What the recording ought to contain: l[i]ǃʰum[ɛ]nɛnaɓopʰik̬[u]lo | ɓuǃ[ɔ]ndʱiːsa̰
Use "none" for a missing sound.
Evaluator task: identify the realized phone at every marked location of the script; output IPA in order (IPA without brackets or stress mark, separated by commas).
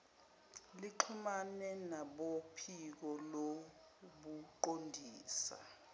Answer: i, a, ɔ, o